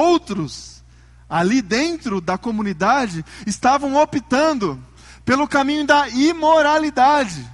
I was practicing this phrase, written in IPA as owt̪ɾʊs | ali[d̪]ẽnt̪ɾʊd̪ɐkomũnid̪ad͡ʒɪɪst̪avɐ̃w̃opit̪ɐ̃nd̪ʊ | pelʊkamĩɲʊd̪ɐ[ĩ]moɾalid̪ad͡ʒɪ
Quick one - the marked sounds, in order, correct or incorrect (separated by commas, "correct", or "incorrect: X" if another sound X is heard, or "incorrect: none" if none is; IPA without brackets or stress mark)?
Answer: correct, incorrect: i